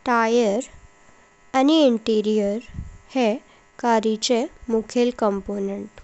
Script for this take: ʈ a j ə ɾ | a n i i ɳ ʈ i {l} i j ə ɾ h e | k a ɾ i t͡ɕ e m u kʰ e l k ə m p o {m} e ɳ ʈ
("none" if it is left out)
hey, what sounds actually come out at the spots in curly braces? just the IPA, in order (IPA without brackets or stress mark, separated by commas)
ɾ, n